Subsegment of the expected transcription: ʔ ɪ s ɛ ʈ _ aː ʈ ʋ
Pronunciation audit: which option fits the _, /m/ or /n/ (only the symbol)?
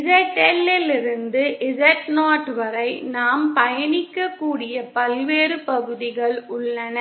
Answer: n